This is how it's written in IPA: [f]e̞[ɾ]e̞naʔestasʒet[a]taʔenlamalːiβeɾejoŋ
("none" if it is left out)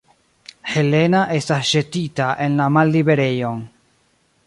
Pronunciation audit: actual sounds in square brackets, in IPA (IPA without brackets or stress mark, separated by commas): h, l, i